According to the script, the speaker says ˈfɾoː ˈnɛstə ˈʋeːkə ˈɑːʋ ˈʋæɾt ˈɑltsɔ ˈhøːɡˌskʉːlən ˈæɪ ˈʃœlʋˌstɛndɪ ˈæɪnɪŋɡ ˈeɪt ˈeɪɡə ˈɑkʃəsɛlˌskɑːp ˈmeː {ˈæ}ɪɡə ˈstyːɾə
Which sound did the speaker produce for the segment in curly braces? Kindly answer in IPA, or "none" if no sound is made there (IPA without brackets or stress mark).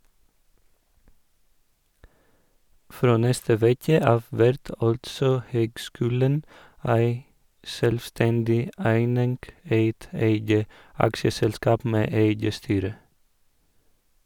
e